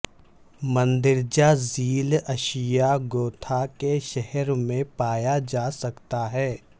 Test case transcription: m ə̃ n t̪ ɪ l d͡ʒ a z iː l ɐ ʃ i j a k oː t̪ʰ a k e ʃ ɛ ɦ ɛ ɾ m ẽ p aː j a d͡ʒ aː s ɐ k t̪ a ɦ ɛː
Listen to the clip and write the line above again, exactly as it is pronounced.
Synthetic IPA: m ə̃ n d̪ ɪ ɾ d͡ʒ a z iː l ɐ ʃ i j a ɡ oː t̪ʰ a k e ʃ ɛ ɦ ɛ ɾ m ẽ p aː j a d͡ʒ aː s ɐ k t̪ a ɦ ɛː